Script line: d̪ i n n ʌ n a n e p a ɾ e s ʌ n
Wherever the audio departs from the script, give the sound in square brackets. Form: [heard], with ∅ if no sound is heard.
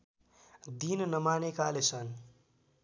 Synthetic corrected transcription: d̪ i n n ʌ [m] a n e [k] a [l] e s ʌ n